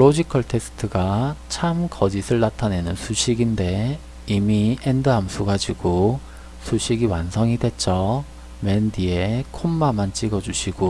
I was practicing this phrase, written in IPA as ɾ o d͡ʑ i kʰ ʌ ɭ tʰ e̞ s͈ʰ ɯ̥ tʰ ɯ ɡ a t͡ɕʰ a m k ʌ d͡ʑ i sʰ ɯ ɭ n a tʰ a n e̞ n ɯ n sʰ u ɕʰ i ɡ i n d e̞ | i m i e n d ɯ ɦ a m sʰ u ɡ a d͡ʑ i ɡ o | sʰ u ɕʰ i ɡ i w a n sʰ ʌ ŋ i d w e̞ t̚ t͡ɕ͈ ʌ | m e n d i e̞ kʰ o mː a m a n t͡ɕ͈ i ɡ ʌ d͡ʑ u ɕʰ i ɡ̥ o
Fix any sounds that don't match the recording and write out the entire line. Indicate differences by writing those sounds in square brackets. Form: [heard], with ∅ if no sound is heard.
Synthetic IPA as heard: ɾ o d͡ʑ i kʰ ʌ ɭ tʰ e̞ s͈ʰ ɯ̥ tʰ ɯ ɡ a t͡ɕʰ a m k ʌ d͡ʑ i sʰ ɯ ɭ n a tʰ a n e̞ n ɯ n sʰ u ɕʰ i ɡ i n d e̞ | i m i e n d ɯ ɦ a m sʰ u ɡ a d͡ʑ i ɡ o | sʰ u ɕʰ i ɡ i w a n sʰ ʌ ŋ i d w e̞ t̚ t͡ɕ͈ ʌ | m e n d i e̞ kʰ o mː a m a n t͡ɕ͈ i ɡ ʌ d͡ʑ u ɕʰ i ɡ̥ o

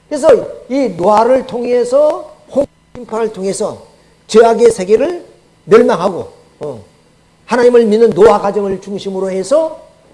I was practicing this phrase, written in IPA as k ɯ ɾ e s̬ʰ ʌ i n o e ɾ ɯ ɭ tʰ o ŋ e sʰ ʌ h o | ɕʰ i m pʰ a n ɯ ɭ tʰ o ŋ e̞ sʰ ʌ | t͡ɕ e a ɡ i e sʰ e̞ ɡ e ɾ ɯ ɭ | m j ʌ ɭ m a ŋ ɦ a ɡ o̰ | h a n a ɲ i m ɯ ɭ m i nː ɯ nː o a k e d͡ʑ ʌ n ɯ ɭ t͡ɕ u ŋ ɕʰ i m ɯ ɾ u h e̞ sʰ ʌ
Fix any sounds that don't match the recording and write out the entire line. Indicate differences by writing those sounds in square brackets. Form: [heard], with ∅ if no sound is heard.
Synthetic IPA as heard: k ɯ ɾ e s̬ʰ ʌ i n o [a] ɾ ɯ ɭ tʰ o ŋ e sʰ ʌ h o | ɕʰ i m pʰ a n ɯ ɭ tʰ o ŋ e̞ sʰ ʌ | t͡ɕ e a ɡ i e sʰ e̞ ɡ e ɾ ɯ ɭ | m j ʌ ɭ m a ŋ ɦ a ɡ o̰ | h a n a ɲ i m ɯ ɭ m i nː ɯ nː o a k [a] d͡ʑ ʌ [ŋ] ɯ ɭ t͡ɕ u ŋ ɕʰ i m ɯ ɾ [o] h e̞ sʰ ʌ

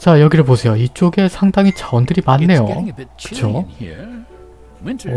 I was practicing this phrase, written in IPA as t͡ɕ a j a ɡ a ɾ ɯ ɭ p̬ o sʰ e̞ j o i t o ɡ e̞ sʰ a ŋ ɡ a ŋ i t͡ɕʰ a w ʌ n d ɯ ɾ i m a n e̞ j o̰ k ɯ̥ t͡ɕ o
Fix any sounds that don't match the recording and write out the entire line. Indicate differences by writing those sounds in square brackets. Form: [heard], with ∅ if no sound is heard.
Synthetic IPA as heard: t͡ɕ a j [ʌ] ɡ [i] ɾ ɯ ɭ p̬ o sʰ e̞ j o i [t͡ɕ͈] o ɡ e̞ sʰ a ŋ [d] a ŋ i [t͡ɕ] a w ʌ n d ɯ ɾ i m a [nː] e̞ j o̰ k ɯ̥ [t͡ɕʰ] o

